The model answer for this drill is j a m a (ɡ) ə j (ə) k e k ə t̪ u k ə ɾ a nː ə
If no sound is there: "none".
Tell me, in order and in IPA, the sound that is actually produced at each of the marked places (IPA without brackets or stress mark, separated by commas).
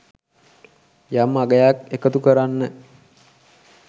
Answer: ɡ, a